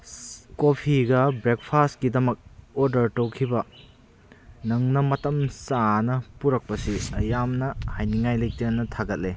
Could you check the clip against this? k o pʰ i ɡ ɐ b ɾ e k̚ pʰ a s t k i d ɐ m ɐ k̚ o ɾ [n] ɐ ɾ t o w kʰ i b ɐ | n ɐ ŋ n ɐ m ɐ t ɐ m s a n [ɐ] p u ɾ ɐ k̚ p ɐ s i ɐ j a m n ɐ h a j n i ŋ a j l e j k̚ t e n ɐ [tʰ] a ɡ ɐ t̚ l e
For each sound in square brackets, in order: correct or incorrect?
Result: incorrect, correct, correct

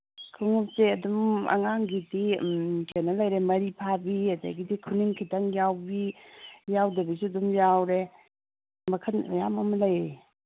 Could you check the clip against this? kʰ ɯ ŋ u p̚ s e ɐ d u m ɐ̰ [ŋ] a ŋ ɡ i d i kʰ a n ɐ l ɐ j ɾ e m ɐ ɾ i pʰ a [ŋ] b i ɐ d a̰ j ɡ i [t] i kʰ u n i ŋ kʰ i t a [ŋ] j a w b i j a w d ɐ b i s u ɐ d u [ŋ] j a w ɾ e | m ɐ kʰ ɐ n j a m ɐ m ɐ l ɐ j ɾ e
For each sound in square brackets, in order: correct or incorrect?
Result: correct, incorrect, incorrect, correct, incorrect

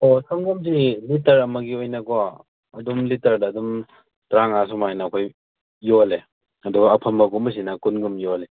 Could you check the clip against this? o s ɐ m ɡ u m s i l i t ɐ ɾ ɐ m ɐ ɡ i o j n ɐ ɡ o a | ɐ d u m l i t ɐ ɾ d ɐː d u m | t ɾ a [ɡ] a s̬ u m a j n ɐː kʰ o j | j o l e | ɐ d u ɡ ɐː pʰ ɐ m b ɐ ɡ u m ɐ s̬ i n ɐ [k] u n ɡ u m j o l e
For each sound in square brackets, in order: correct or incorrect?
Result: incorrect, correct

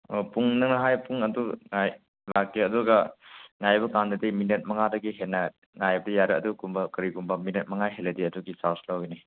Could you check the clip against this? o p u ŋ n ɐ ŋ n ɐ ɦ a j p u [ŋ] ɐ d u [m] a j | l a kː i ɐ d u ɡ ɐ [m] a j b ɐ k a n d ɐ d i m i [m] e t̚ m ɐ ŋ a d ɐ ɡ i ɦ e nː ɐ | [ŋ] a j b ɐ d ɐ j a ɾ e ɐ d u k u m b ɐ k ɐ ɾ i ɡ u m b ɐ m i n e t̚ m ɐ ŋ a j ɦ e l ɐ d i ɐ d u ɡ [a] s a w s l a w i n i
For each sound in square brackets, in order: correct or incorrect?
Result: correct, incorrect, incorrect, incorrect, correct, incorrect

